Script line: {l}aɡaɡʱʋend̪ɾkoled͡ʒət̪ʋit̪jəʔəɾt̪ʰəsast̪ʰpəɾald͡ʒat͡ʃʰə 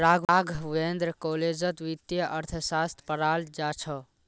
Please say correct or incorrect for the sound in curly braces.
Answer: incorrect